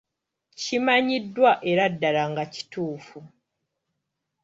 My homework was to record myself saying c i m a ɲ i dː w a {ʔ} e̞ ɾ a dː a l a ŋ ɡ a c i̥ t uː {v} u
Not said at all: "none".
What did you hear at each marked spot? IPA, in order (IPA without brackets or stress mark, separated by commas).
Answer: ʔ, f